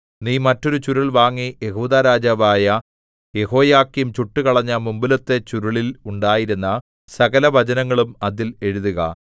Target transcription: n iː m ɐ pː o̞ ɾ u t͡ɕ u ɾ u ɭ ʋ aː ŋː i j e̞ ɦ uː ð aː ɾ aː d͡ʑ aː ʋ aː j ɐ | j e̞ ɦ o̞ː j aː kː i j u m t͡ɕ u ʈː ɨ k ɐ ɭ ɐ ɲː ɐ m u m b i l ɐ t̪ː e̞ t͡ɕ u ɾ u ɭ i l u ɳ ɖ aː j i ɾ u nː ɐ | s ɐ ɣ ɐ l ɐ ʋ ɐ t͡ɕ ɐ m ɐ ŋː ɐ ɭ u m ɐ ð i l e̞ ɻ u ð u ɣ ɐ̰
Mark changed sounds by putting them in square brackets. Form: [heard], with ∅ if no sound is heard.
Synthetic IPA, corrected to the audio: n iː m ɐ [tː] o̞ ɾ u t͡ɕ u ɾ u ɭ ʋ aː ŋː i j e̞ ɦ uː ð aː ɾ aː d͡ʑ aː ʋ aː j ɐ | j e̞ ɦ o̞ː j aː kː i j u m t͡ɕ u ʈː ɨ k ɐ ɭ ɐ ɲː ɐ m u m b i l ɐ t̪ː e̞ t͡ɕ u ɾ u ɭ i l u ɳ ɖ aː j i ɾ u nː ɐ | s ɐ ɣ ɐ l ɐ ʋ ɐ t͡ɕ ɐ [n] ɐ ŋː ɐ ɭ u m ɐ ð i l e̞ ɻ u ð u ɣ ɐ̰